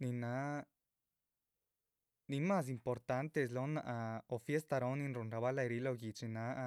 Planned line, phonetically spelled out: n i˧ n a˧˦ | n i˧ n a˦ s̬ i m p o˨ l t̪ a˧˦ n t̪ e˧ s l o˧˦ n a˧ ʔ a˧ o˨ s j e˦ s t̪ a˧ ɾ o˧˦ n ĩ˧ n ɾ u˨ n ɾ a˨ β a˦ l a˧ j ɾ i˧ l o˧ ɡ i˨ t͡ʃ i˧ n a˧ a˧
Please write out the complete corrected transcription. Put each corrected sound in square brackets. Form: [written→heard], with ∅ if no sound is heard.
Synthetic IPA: n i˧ n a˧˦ | n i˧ [n→m] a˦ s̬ i m p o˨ [l→ɾ] t̪ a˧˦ n t̪ e˧ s l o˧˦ n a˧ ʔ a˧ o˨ [s→f] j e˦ s t̪ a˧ ɾ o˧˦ n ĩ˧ n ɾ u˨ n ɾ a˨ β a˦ l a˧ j ɾ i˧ l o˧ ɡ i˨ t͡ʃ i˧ n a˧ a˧